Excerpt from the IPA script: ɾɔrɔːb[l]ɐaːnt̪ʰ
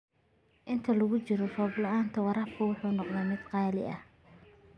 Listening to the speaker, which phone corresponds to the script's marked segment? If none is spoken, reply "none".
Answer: l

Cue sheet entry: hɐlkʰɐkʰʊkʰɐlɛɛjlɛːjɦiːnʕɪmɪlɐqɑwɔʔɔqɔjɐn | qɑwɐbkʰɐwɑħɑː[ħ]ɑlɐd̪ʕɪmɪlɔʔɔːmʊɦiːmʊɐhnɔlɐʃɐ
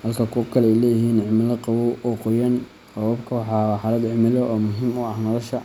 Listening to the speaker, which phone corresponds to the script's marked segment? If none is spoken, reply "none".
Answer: ħ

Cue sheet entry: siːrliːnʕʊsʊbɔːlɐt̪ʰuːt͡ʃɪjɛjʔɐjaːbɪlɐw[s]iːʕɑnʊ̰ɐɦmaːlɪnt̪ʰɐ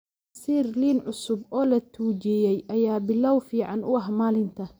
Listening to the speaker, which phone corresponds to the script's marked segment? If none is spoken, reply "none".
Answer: f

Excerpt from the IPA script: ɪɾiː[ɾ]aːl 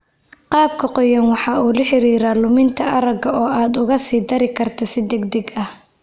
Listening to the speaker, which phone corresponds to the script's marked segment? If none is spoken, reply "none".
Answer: ɾ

